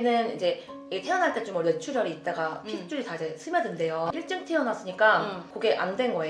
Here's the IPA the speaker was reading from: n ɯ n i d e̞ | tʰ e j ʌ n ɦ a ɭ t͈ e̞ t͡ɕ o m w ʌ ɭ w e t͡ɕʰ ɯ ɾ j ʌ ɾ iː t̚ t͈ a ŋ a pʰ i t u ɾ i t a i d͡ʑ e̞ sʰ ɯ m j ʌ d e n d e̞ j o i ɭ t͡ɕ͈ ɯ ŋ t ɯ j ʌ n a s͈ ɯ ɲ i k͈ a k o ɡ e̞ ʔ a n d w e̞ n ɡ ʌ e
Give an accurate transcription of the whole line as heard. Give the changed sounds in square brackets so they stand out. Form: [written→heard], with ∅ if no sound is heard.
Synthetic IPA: n ɯ n i [d→d͡ʑ] e̞ | tʰ e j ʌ n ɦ a ɭ t͈ e̞ t͡ɕ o m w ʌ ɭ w e t͡ɕʰ [ɯ→u] ɾ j ʌ ɾ iː t̚ t͈ a [ŋ→ɡ] a pʰ i [t→t͡ɕ͈] u ɾ i t a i d͡ʑ e̞ sʰ ɯ m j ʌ d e n d e̞ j o i ɭ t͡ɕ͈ ɯ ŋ [t→tʰ] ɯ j ʌ n a s͈ ɯ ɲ i k͈ a k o ɡ e̞ ʔ a n d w e̞ n ɡ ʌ e